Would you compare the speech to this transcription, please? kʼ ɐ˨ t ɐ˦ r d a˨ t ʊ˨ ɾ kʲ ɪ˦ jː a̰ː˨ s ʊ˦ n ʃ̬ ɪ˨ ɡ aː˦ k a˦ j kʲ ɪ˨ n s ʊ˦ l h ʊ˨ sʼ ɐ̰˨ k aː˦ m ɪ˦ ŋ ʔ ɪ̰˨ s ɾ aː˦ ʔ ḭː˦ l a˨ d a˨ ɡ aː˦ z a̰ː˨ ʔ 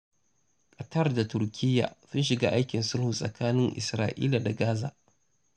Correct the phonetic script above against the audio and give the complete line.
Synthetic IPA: kʼ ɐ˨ t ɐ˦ r d a˨ t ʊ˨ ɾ kʲ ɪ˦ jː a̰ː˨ s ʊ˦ n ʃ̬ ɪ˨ ɡ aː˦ ʔ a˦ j kʲ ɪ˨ n s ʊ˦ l h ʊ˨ sʼ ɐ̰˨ k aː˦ n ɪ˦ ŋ ʔ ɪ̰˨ s ɾ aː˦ ʔ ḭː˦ l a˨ d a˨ ɡ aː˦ z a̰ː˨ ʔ